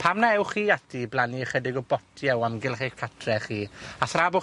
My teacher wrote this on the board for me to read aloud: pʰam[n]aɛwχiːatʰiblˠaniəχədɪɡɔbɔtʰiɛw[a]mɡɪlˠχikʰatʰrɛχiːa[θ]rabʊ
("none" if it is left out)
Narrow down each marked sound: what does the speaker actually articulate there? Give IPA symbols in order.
n, a, θ

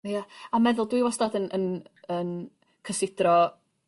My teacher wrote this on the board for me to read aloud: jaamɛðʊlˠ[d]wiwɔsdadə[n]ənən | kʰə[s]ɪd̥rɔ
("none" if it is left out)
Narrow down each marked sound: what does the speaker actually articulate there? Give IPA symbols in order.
d, n, s

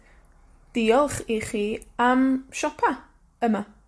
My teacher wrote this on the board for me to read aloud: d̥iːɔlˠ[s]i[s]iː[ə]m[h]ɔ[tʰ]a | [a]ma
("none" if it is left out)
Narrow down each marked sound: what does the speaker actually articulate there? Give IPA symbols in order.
χ, χ, a, ʃ, pʰ, ə

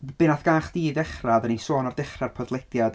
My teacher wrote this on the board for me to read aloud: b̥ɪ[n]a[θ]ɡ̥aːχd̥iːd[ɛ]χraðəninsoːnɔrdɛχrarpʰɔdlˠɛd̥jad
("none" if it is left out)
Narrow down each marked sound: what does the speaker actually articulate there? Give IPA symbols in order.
n, θ, ɛ

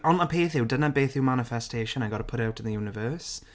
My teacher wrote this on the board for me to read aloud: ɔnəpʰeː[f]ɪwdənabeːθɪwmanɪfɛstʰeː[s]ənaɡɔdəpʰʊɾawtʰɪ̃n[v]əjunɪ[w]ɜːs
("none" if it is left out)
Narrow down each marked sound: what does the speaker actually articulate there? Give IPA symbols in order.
θ, ʃ, ð, v

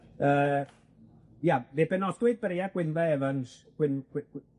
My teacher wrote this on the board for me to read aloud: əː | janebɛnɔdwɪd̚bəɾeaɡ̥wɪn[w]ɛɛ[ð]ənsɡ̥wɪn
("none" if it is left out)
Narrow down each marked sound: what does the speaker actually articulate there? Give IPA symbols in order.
v, v

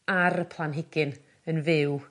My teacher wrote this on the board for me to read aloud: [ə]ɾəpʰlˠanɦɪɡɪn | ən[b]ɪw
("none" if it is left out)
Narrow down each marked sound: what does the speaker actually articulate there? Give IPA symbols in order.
a, v

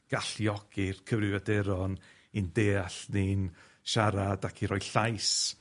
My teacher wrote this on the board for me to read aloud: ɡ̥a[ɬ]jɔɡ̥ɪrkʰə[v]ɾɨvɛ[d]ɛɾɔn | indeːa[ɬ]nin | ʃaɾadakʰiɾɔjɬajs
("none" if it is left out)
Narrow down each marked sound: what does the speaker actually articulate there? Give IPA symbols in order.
ɬ, v, d, ɬ

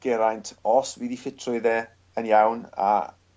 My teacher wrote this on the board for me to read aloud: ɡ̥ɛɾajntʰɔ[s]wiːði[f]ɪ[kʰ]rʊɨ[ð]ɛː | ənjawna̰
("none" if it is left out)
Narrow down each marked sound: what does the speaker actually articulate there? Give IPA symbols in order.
s, f, tʰ, ð

